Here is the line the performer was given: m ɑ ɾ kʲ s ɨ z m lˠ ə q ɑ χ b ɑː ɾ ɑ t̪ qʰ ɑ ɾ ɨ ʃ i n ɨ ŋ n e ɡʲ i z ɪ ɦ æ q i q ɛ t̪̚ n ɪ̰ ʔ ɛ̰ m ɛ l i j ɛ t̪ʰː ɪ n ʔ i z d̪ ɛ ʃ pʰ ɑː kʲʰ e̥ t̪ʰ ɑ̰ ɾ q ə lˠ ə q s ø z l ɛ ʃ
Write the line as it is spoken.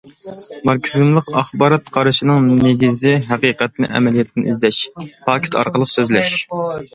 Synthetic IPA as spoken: m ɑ ɾ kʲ s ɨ z m lˠ ə q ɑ χ b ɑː ɾ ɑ t̪ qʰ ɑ ɾ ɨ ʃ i n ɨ ŋ n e ɡʲ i z ɪ ɦ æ q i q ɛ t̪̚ n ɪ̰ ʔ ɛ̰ m ɛ l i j ɛ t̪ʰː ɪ n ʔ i z d̪ ɛ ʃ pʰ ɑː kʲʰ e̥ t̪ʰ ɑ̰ ɾ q ə lˠ ə q s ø z l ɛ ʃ

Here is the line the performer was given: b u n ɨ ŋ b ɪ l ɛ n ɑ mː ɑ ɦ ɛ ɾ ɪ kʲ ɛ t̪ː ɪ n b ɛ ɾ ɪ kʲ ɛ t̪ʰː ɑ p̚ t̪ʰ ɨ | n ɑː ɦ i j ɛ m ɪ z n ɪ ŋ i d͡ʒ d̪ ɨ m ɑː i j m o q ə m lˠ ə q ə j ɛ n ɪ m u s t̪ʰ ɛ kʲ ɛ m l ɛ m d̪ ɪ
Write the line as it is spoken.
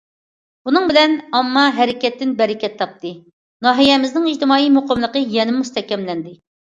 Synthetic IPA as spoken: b u n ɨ ŋ b ɪ l ɛ n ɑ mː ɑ ɦ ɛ ɾ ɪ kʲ ɛ t̪ː ɪ n b ɛ ɾ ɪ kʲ ɛ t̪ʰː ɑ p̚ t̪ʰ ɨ | n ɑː ɦ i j ɛ m ɪ z n ɪ ŋ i d͡ʒ t̪ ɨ m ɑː i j m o q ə m lˠ ə q ə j ɛ n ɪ m u s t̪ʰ ɛ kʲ ɛ m l ɛ n d̪ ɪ

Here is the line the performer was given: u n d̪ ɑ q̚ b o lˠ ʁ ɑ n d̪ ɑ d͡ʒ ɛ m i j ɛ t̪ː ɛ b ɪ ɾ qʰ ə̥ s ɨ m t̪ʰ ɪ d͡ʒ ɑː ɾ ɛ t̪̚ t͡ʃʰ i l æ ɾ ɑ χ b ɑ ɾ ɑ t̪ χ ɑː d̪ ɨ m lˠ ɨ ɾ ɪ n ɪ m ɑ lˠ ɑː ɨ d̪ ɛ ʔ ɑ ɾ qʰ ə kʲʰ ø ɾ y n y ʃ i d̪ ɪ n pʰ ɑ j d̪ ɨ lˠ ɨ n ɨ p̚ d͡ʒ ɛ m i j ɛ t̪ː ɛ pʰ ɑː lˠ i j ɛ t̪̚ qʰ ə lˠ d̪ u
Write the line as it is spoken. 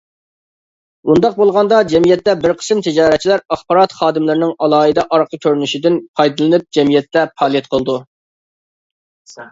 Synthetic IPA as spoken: u n d̪ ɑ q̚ b o lˠ ʁ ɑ n d̪ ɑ d͡ʒ ɛ m i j ɛ t̪ː ɛ b ɪ ɾ qʰ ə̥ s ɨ m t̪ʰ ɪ d͡ʒ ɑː ɾ ɛ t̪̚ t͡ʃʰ i l æ ɾ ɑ χ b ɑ ɾ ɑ t̪ χ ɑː d̪ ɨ m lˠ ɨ ɾ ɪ n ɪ ŋ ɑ lˠ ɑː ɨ d̪ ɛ ʔ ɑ ɾ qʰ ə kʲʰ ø ɾ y n y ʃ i d̪ ɪ n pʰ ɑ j d̪ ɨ lˠ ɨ n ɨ p̚ d͡ʒ ɛ m i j ɛ t̪ː ɛ pʰ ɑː lˠ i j ɛ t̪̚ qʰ ə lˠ d̪ u

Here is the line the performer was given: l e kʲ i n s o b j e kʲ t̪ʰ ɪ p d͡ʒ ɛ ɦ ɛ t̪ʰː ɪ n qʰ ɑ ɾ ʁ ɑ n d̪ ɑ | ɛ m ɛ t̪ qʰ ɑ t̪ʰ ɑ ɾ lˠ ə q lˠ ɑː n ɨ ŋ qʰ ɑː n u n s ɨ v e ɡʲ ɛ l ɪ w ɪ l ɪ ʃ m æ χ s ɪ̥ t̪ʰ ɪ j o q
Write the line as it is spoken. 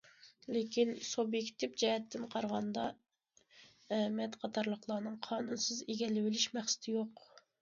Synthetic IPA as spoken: l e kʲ i n s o b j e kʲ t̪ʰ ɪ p d͡ʒ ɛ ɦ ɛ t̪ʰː ɪ n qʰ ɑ ɾ ʁ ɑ n d̪ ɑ | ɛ m ɛ t̪ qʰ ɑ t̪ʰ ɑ ɾ lˠ ə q lˠ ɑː n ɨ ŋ qʰ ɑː n u n s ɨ z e ɡʲ ɛ l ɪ w ɪ l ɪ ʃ m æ χ s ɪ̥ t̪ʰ ɪ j o q

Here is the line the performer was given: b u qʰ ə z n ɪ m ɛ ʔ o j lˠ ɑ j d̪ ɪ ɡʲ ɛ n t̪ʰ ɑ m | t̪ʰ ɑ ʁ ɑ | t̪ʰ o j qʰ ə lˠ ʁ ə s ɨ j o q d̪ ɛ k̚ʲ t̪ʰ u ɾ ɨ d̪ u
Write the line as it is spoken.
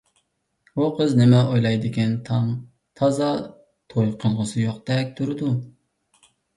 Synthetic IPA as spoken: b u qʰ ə z n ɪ m ɛ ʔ o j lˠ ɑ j d̪ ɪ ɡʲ ɛ n t̪ʰ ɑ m | t̪ʰ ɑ z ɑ | t̪ʰ o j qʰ ə lˠ ʁ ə s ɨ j o q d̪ ɛ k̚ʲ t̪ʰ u ɾ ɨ d̪ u

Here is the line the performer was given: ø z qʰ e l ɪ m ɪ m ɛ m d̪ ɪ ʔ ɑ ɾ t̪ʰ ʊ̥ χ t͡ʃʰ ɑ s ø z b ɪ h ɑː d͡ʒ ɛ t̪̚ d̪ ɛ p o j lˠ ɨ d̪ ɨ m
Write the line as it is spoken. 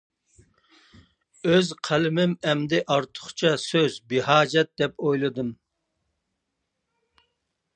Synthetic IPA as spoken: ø z qʰ æ l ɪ m ɪ m ɛ m d̪ ɪ ʔ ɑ ɾ t̪ʰ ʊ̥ χ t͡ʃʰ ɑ s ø z b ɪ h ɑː d͡ʒ ɛ t̪̚ d̪ ɛ p o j lˠ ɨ d̪ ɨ m

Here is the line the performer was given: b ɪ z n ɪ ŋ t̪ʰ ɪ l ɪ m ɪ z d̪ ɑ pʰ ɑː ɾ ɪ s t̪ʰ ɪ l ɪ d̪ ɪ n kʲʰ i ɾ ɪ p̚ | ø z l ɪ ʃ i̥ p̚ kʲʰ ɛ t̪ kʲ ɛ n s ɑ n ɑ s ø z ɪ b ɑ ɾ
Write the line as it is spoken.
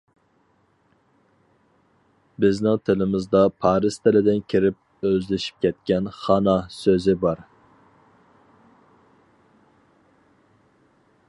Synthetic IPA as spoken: b ɪ z n ɪ ŋ t̪ʰ ɪ l ɪ m ɪ z d̪ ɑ pʰ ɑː ɾ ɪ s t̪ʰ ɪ l ɪ d̪ ɪ n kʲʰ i ɾ ɪ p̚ | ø z l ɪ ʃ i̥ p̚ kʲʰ ɛ t̪ kʲ ɛ n χ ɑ n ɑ s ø z ɪ b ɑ ɾ

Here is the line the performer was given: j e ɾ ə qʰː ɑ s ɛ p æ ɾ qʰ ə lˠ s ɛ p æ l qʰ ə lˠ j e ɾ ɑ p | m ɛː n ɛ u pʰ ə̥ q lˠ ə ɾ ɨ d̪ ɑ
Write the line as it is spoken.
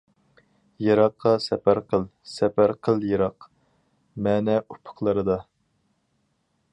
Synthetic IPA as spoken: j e ɾ ɑ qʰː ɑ s ɛ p æ ɾ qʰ ə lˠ s ɛ p æ ɾ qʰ ə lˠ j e ɾ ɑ q | m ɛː n ɛ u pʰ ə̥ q lˠ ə ɾ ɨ d̪ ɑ

